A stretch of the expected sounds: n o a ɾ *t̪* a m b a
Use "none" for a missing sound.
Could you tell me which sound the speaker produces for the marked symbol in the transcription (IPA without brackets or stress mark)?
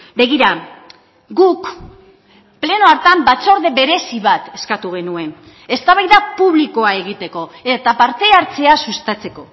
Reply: t̪